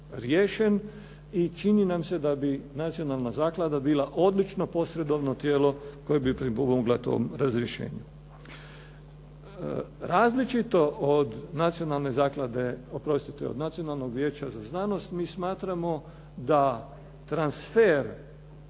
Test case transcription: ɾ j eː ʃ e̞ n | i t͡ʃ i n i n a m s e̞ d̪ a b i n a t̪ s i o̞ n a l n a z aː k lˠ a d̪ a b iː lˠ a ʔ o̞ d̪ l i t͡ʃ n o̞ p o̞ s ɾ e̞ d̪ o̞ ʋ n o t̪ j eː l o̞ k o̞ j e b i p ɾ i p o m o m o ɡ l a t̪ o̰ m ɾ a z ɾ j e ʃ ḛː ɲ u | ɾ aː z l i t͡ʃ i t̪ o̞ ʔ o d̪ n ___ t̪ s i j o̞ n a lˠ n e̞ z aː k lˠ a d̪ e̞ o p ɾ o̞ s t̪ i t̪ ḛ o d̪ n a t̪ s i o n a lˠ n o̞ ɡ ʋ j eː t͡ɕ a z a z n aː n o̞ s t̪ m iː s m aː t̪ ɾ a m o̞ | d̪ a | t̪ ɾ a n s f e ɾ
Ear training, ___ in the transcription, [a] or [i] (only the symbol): a